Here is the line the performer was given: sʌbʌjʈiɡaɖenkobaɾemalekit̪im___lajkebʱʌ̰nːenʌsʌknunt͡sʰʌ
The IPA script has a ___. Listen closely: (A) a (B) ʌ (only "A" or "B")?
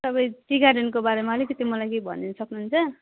B